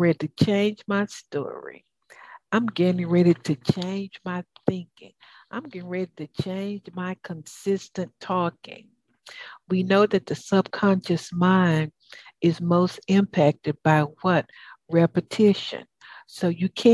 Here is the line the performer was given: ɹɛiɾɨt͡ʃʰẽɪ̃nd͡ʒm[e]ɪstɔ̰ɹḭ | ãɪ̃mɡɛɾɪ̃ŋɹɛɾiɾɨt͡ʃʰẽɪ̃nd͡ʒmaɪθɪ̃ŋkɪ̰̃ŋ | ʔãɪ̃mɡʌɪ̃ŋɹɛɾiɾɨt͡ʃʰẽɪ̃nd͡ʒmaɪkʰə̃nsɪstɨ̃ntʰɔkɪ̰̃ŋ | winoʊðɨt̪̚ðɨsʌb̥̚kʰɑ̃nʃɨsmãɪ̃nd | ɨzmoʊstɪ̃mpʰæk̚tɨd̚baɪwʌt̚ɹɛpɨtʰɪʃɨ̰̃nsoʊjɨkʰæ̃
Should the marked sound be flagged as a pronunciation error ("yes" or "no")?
yes